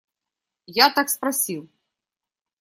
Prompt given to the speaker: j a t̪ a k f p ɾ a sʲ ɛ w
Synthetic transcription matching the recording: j a t̪ a k s p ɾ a sʲ i w